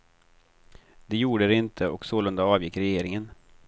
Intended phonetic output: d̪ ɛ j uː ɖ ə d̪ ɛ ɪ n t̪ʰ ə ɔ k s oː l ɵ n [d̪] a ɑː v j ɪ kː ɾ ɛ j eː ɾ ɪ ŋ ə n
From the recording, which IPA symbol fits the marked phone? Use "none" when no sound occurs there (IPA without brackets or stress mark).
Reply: d̪